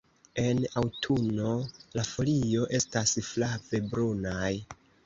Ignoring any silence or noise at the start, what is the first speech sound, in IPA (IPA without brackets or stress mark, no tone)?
e̞